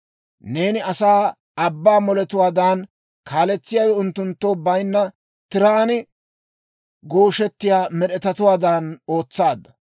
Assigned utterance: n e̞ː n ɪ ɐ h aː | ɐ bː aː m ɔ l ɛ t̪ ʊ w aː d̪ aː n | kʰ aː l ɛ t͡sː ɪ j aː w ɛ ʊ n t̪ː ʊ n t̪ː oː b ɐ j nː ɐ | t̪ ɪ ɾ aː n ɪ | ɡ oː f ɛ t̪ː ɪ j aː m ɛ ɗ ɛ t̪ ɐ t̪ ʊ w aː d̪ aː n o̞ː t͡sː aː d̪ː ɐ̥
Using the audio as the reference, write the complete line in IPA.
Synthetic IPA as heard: n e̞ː n ɪ ɐ s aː | ɐ bː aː m ɔ l ɛ t̪ ʊ w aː d̪ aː n | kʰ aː l ɛ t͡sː ɪ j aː w ɛ ʊ n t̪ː ʊ n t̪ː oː b ɐ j nː ɐ | t̪ ɪ ɾ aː n ɪ | ɡ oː ʃ ɛ t̪ː ɪ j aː m ɛ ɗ ɛ t̪ ɐ t̪ ʊ w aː d̪ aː n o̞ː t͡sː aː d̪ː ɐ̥